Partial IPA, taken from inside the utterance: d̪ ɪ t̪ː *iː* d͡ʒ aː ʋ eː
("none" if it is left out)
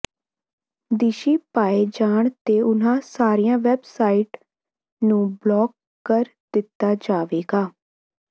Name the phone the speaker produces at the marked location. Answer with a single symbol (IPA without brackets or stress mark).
aː